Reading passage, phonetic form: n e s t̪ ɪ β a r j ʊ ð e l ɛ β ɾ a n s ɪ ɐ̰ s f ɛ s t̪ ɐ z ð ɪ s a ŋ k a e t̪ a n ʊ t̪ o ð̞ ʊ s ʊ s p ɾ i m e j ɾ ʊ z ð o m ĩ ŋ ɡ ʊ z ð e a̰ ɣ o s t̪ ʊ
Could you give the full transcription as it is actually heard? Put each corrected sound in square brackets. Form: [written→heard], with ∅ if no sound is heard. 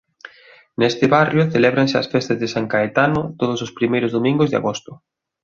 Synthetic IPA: n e s t̪ ɪ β a r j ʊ [ð→θ] e l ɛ β ɾ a n s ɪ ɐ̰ s f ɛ s t̪ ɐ z ð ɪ s a ŋ k a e t̪ a n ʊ t̪ o ð̞ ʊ s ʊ s p ɾ i m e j ɾ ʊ z ð o m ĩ ŋ ɡ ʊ z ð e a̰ ɣ o s t̪ ʊ